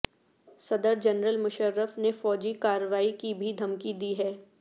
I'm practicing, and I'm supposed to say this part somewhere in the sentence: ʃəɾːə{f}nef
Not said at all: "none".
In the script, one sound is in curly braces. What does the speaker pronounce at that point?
f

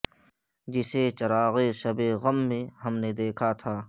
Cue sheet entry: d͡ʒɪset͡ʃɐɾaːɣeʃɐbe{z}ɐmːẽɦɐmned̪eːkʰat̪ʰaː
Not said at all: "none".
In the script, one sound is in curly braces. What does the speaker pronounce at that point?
ɣ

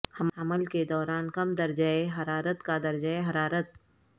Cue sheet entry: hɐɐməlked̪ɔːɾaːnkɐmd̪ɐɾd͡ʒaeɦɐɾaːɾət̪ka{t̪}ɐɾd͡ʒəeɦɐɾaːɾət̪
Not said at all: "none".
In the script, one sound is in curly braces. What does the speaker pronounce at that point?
d̪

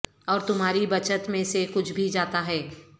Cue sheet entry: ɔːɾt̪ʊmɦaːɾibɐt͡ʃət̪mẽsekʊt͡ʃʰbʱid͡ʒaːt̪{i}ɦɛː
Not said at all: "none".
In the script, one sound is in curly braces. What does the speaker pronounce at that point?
a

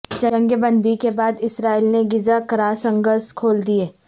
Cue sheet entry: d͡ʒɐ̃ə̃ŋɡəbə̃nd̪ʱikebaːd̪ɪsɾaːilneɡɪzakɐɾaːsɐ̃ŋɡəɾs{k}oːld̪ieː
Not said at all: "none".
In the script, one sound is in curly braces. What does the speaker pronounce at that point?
kʰ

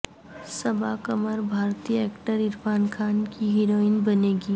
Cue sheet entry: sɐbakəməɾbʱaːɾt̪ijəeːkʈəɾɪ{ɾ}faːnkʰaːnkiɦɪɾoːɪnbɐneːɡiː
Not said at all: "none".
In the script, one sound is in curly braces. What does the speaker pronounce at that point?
ɾ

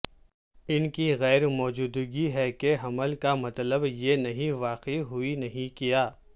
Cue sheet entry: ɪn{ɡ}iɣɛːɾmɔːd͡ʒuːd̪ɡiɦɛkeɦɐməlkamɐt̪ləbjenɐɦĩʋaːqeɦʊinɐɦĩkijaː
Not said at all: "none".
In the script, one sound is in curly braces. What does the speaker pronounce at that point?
k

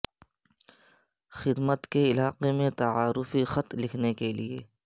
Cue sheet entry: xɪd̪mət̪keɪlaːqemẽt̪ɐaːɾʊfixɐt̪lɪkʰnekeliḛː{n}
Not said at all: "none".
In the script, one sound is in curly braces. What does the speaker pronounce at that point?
none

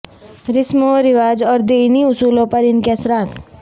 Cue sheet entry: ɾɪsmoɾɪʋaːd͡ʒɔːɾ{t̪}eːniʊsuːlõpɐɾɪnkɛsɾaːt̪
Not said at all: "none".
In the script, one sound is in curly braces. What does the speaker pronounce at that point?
d̪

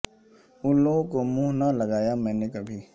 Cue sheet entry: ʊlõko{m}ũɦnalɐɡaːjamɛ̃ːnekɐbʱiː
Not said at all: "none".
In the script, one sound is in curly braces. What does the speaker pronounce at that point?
m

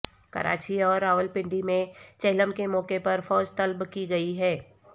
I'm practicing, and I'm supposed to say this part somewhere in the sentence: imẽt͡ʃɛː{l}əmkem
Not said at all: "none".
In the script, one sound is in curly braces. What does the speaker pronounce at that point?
l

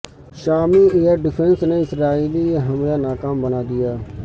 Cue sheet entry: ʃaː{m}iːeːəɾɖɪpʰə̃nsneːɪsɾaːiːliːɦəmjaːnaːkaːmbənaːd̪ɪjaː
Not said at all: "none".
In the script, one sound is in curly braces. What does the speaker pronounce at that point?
m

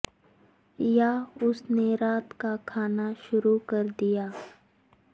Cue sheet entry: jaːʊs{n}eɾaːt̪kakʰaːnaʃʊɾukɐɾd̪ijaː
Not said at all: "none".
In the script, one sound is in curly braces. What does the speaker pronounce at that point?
n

